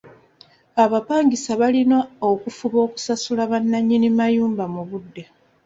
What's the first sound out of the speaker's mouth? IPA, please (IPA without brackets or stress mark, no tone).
a